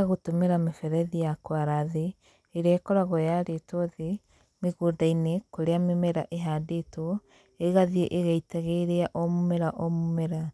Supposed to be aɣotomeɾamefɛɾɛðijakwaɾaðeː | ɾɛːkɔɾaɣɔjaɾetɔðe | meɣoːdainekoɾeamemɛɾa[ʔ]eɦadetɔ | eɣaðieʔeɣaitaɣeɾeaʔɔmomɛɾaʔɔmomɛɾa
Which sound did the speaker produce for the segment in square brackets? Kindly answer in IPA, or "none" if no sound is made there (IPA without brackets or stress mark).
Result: ʔ